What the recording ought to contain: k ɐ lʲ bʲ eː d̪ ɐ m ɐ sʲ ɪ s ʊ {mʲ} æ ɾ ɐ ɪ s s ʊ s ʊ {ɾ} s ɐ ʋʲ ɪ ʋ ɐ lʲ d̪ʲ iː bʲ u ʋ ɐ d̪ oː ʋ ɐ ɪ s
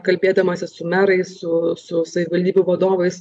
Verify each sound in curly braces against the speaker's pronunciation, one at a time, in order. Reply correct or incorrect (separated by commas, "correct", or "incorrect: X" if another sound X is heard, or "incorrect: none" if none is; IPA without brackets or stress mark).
correct, incorrect: none